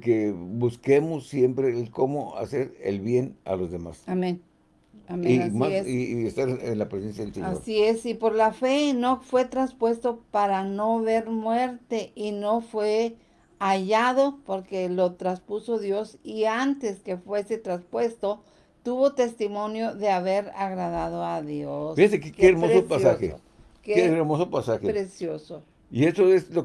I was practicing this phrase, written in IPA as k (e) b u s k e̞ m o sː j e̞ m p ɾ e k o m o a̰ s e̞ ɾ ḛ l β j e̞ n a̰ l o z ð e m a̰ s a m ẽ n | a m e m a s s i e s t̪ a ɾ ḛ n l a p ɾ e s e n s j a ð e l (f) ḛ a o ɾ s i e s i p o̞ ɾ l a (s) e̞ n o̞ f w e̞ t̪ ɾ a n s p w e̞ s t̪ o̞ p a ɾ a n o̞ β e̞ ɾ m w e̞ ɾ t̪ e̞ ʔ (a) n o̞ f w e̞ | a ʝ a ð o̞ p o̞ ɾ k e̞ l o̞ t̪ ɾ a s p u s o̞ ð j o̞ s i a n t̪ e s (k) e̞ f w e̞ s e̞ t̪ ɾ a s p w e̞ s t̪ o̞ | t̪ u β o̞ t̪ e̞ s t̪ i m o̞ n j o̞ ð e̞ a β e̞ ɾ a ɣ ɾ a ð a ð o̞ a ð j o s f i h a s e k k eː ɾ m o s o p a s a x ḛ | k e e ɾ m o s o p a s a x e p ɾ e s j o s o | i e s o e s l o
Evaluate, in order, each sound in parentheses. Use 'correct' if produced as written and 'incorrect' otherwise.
correct, incorrect: s, incorrect: f, incorrect: i, correct

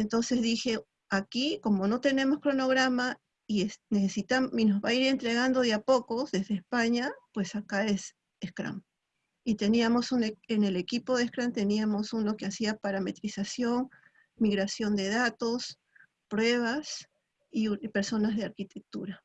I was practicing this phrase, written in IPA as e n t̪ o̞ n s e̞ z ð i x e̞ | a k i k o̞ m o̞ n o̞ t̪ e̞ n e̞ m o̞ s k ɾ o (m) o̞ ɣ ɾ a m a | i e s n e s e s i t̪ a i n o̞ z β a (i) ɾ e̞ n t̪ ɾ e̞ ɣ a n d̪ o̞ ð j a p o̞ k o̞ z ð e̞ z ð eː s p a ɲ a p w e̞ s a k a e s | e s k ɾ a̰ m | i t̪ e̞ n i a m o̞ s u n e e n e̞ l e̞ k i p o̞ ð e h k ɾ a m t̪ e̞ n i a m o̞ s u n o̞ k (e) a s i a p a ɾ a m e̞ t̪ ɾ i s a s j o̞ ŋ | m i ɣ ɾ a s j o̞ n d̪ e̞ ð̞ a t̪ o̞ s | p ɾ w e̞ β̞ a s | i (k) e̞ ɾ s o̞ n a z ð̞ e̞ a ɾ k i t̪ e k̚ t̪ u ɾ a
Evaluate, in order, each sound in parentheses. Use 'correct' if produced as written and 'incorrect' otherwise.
incorrect: n, correct, correct, incorrect: p

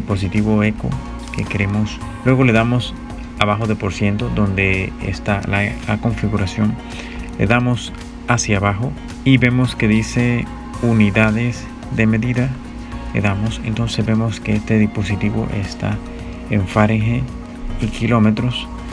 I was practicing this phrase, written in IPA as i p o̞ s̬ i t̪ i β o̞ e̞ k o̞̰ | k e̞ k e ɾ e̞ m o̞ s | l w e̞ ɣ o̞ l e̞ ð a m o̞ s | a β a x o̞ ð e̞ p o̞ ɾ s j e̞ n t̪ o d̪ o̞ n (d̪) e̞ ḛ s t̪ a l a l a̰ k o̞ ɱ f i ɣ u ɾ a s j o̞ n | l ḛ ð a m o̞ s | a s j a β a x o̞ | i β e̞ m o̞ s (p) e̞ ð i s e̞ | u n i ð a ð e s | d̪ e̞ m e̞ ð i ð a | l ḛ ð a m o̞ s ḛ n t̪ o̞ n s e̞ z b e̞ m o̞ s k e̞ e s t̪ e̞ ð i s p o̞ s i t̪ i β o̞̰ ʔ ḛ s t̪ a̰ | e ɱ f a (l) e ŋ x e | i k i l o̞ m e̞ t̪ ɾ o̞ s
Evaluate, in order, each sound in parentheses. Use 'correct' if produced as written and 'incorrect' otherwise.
correct, incorrect: k, incorrect: ɾ

